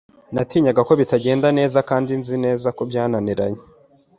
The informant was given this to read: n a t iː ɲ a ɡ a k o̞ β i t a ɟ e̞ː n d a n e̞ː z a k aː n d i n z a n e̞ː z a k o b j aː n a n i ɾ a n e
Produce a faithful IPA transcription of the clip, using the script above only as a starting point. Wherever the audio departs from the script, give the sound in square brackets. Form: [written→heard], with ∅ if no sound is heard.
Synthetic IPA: n a t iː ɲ a ɡ a k o̞ β i t a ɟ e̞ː n d a n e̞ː z a k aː n d i n z [a→i] n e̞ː z a k o b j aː n a n i ɾ a [n→ɲ] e